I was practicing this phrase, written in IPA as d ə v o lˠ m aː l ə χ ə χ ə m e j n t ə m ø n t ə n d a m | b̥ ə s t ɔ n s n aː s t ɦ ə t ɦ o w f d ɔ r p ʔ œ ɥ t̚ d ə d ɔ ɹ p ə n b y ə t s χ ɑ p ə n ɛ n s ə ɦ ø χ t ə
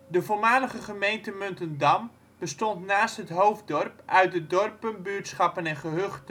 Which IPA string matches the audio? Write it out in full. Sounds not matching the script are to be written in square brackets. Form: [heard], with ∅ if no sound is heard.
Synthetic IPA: d ə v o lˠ m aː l ə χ ə χ ə m e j n t ə m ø n t ə n d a m | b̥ ə s t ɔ n [t] n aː s t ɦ ə t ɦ o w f d ɔ r p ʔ œ ɥ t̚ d ə d ɔ [r] p ə n b y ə t s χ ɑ p ə n ɛ n [χ] ə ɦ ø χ t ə

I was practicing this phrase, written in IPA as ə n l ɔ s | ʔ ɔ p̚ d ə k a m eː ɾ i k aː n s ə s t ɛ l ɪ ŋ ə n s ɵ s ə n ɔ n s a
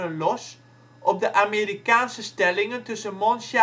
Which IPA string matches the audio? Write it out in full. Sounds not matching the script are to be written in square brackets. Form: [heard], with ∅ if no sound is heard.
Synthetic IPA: ə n l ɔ s | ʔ ɔ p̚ d ə [ʔ] a m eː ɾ i k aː n s ə s t ɛ l ɪ ŋ ə n [t] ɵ s ə [m] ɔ n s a

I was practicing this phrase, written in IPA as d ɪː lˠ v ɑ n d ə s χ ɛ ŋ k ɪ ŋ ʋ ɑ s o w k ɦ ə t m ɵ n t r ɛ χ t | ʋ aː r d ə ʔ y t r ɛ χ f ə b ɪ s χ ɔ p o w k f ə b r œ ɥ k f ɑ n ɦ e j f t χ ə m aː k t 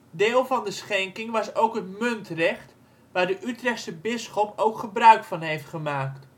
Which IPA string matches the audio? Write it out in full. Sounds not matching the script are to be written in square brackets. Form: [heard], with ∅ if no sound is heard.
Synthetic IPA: d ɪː lˠ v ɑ n d ə s χ ɛ ŋ k ɪ ŋ ʋ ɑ s o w k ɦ ə t m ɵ n t r ɛ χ t | ʋ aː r d ə ʔ y t r ɛ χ [s] ə b ɪ s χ ɔ p o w k [χ] ə b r œ ɥ k f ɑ n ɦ e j f t χ ə m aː k t

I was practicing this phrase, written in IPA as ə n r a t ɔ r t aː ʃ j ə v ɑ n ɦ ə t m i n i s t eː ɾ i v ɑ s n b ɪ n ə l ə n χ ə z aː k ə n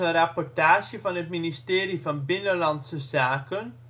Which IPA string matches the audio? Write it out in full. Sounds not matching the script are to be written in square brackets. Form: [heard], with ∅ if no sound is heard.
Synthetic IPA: ə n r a [p] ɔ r t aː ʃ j ə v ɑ n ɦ ə t m i n i s t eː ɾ i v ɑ [∅] n b ɪ n ə l [ɑ] n [s] ə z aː k ə n

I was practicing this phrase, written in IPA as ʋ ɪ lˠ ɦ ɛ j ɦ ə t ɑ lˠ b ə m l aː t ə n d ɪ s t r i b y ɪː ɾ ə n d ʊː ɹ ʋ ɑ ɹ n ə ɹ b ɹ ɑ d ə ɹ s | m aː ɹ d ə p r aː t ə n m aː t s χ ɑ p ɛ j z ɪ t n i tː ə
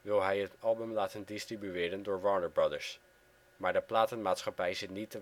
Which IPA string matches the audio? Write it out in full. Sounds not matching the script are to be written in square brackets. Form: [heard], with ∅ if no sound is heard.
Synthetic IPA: ʋ ɪ lˠ ɦ ɛ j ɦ ə t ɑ lˠ b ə m l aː t ə n d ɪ s t r i b y ɪː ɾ ə n d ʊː ɹ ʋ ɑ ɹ n ə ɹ b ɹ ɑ d ə ɹ s | m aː ɹ d ə p [l] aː t ə n m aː t s χ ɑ p ɛ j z ɪ t n i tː ə

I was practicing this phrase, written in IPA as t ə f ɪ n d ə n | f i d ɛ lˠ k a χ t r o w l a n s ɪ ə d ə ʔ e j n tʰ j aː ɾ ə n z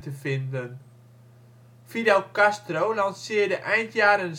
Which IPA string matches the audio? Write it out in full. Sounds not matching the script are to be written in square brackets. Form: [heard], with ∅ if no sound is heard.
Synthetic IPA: t ə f ɪ n d ə n | f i d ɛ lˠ k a [s] t r o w l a n s ɪ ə d ə ʔ [ɛ] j n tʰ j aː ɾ ə n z

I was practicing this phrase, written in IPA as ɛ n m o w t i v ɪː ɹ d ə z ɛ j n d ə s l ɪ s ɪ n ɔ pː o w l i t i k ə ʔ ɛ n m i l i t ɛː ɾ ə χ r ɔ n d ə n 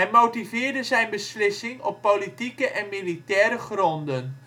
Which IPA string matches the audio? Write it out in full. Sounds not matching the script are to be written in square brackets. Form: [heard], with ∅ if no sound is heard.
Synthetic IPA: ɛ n m o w t i v ɪː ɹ d ə z ɛ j n [b] ə s l ɪ s ɪ [ŋ] ɔ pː o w l i t i k ə ʔ ɛ n m i l i t ɛː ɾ ə χ r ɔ n d ə n

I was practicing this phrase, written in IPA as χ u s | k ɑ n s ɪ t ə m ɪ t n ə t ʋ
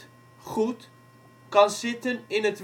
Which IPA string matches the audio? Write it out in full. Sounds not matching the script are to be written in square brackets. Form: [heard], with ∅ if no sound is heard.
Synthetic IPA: χ u [t] | k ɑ n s ɪ t ə [n] ɪ [∅] n ə t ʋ

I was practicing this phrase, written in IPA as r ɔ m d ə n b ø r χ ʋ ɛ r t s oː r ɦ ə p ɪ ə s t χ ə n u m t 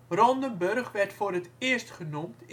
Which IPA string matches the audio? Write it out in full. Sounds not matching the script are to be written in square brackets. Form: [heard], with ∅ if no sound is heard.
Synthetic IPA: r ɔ [n] d ə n b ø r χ ʋ ɛ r t [f] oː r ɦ ə [t] ɪ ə s t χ ə n u m t

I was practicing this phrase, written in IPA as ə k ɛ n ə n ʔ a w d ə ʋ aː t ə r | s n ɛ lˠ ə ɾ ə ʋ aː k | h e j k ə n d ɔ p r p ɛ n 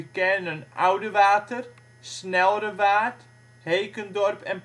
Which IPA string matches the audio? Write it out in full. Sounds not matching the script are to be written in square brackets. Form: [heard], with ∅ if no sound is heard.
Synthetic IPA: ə k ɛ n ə n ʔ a w d ə ʋ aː t ə r | s n ɛ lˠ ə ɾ ə ʋ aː [t] | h e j k ə n d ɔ [∅] r p ɛ n

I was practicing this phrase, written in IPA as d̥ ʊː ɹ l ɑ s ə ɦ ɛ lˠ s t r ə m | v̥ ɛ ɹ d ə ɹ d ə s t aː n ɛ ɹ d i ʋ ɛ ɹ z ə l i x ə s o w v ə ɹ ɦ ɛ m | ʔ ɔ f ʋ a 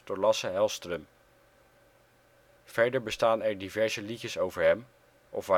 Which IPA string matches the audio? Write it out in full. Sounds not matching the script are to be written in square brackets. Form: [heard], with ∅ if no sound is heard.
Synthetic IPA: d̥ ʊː ɹ l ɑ s ə ɦ ɛ lˠ s t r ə m | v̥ ɛ ɹ d ə ɹ [b] ə s t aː n ɛ ɹ d i [v] ɛ ɹ z ə l i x ə s o w v ə ɹ ɦ ɛ m | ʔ ɔ f ʋ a

